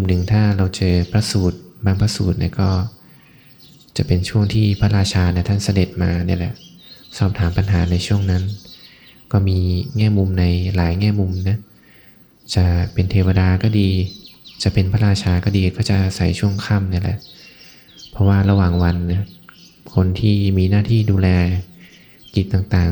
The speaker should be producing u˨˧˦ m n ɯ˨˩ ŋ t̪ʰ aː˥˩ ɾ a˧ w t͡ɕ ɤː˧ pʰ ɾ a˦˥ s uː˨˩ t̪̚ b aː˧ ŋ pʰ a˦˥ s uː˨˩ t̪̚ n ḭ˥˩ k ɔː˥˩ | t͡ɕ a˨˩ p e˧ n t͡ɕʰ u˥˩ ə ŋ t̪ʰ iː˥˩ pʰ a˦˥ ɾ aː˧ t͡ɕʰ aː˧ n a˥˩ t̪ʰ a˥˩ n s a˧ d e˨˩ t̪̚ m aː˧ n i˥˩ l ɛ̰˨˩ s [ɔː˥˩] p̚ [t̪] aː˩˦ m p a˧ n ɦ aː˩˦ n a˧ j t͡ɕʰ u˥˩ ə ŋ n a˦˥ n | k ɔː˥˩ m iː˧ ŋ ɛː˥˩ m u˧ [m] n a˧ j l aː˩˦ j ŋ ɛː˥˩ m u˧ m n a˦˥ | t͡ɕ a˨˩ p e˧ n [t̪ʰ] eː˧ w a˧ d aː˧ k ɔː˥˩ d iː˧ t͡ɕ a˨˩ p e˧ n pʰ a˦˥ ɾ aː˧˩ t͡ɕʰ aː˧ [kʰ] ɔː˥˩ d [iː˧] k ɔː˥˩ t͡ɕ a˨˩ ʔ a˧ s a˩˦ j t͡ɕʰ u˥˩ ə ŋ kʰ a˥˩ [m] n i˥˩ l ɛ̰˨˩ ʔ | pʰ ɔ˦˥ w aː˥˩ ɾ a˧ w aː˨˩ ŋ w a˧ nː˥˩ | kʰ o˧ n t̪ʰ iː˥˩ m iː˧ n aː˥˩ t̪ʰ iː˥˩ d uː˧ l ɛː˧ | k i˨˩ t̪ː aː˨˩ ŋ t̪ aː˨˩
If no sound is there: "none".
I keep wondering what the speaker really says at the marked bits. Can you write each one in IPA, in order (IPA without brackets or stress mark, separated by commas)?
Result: ɔː˥˩, t̪ʰ, m, t̪ʰ, k, iː˧, m